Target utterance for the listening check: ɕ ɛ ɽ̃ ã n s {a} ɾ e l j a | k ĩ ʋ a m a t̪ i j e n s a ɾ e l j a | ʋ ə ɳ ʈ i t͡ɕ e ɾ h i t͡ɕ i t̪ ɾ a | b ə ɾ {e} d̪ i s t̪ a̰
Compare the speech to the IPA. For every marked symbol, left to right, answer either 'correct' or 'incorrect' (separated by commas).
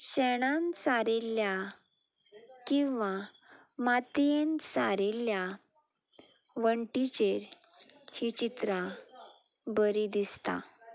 correct, incorrect